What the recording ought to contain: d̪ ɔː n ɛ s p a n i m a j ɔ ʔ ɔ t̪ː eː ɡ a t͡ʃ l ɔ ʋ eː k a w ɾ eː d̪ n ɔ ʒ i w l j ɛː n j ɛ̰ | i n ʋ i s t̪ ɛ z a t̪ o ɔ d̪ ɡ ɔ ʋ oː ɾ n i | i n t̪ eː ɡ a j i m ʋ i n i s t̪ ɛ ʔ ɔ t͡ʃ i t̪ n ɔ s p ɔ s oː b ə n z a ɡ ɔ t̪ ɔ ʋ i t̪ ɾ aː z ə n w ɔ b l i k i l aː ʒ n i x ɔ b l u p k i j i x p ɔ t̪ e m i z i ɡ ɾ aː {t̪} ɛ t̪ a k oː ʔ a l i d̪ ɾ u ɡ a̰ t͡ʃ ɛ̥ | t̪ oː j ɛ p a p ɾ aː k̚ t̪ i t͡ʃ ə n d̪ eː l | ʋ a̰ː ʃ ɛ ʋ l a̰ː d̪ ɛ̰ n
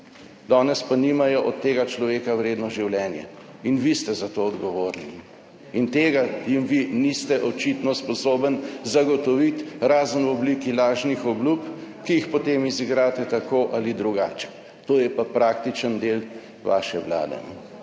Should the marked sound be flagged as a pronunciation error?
no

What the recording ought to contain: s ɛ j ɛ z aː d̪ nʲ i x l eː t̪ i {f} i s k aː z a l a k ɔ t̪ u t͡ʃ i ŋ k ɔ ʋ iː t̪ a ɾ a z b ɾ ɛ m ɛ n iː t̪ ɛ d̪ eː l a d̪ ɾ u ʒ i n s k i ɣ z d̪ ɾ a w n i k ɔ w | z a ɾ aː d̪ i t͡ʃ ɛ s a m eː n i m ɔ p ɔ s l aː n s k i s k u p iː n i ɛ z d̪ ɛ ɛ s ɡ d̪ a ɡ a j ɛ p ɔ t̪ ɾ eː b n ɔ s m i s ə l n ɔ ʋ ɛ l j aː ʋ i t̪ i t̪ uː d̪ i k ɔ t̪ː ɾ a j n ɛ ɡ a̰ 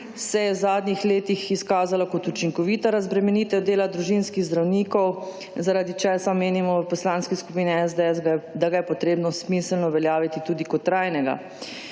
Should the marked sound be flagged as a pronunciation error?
yes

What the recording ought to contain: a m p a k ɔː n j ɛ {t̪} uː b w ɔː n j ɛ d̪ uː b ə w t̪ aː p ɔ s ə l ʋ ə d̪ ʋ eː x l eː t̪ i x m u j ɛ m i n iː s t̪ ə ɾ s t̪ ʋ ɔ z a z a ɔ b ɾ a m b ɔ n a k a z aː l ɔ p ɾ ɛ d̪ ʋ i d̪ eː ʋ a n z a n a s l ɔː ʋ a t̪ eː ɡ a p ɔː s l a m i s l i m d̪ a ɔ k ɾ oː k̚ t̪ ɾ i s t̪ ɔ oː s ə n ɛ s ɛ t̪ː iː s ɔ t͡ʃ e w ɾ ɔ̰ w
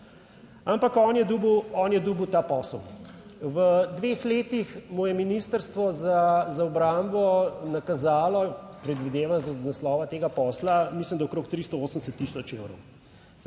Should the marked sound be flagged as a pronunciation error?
yes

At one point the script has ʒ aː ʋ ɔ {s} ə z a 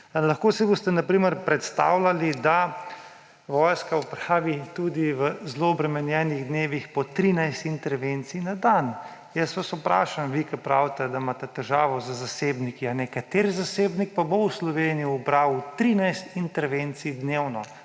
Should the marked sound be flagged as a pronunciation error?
yes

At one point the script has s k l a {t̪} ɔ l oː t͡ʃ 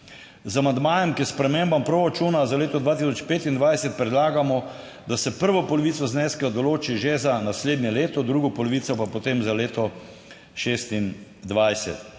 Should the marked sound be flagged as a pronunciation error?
yes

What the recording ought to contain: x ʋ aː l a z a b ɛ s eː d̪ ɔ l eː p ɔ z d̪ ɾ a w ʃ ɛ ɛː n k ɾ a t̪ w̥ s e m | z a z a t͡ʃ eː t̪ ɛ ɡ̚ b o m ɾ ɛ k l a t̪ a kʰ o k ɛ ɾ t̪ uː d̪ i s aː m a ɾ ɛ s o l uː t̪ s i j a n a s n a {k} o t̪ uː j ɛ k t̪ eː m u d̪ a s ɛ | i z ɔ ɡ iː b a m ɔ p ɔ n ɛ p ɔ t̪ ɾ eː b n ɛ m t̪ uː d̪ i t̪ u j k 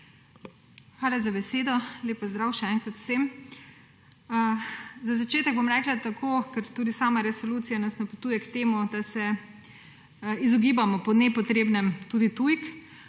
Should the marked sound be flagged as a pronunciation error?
yes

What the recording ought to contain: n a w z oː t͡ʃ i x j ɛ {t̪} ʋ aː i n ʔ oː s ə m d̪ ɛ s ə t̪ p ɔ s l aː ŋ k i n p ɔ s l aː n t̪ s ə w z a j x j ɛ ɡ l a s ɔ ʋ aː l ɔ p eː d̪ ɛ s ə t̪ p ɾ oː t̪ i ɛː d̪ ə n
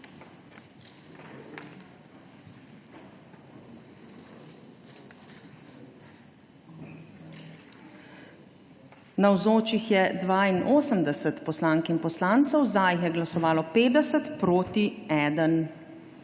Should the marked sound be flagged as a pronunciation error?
yes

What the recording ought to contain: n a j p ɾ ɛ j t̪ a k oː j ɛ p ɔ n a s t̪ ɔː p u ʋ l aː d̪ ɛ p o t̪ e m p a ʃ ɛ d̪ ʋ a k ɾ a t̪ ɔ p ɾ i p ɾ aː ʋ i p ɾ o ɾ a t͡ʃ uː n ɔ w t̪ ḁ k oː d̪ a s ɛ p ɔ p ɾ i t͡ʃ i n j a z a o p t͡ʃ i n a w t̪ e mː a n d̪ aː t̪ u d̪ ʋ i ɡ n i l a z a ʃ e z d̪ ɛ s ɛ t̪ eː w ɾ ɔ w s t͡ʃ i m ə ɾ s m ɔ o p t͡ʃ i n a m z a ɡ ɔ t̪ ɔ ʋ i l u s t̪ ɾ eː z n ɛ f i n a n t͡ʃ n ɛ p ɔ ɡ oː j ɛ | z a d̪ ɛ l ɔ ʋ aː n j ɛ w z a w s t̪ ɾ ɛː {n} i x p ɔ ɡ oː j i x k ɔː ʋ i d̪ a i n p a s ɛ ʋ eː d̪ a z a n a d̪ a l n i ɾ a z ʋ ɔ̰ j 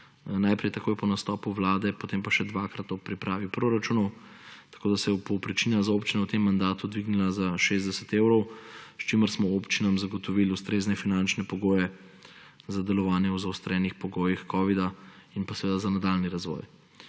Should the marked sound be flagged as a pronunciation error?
no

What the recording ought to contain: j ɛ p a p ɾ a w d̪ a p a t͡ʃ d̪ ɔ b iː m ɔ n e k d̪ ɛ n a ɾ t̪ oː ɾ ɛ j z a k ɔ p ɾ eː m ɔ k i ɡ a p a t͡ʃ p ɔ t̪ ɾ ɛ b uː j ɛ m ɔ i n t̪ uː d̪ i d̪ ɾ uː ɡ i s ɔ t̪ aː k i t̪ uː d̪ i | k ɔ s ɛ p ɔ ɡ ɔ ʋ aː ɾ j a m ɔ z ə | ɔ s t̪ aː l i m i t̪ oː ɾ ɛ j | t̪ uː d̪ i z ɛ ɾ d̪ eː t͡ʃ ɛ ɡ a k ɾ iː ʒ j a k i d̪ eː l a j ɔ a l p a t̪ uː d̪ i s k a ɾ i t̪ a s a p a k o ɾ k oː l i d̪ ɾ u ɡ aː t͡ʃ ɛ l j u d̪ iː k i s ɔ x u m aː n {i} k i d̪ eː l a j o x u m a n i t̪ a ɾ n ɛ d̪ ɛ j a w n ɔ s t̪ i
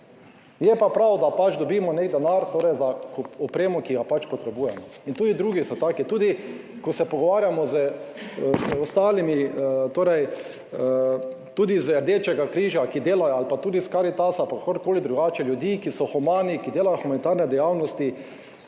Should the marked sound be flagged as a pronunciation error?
no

